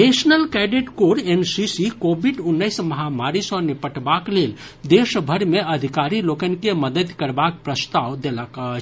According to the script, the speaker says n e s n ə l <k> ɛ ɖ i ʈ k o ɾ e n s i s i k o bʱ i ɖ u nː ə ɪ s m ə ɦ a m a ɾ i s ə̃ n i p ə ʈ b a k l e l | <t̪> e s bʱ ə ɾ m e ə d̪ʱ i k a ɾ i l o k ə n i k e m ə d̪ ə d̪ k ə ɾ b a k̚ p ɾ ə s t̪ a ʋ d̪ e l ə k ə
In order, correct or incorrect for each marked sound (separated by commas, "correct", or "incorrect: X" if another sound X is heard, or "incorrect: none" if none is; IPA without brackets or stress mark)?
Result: correct, incorrect: d̪